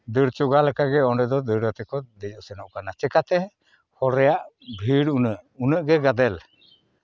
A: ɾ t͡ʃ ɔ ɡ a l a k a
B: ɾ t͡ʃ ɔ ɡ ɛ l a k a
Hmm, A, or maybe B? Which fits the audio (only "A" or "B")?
A